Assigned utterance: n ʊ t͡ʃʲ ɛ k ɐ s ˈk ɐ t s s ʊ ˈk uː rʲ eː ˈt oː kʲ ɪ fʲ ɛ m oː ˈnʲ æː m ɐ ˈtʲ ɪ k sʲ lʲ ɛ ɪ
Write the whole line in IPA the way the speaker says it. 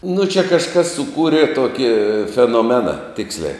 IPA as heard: n ʊ t͡ʃʲ ɛ k ɐ ʃ ˈk ɐ s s ʊ ˈk uː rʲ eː ˈt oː kʲ ɪ fʲ ɛ n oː ˈmʲ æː n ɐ ˈtʲ ɪ k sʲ lʲ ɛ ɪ